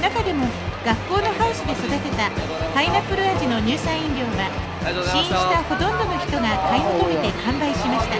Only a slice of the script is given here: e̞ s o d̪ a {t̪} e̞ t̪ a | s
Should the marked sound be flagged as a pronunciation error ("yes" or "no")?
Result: no